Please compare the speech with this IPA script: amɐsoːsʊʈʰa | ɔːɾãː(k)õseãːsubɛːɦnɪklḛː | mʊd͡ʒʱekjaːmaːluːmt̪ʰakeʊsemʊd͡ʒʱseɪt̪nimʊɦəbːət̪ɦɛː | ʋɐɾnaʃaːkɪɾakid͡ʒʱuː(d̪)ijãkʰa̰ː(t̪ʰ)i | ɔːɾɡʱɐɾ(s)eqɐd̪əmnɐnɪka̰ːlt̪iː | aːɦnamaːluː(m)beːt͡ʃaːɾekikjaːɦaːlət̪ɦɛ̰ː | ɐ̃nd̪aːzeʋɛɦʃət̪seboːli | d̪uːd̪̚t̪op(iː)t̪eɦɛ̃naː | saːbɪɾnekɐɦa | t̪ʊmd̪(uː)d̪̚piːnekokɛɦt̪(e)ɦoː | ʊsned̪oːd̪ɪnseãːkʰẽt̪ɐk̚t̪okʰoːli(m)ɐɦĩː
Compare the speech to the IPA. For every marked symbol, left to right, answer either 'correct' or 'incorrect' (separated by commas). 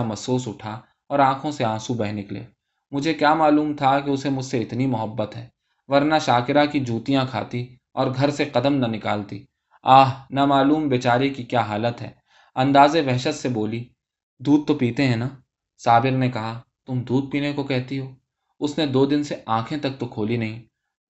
incorrect, incorrect, incorrect, correct, correct, correct, correct, incorrect, incorrect